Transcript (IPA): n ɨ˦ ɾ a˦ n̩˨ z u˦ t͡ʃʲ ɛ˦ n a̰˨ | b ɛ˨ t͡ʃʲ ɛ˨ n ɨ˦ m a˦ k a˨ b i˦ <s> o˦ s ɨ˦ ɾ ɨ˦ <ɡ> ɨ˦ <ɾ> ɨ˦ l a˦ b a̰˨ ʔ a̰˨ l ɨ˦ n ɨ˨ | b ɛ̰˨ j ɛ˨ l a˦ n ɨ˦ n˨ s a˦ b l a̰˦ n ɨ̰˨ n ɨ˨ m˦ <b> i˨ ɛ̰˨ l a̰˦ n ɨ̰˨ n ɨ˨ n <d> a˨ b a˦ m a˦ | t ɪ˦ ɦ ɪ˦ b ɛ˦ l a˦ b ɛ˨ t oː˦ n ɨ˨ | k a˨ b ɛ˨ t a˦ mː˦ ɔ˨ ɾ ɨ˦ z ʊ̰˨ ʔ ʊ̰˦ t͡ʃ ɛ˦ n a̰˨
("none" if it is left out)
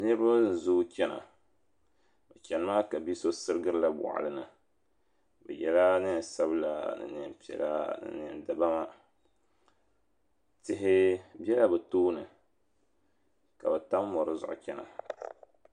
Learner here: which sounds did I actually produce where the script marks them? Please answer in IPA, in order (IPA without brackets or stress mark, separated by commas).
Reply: s, ɡ, ɾ, p, d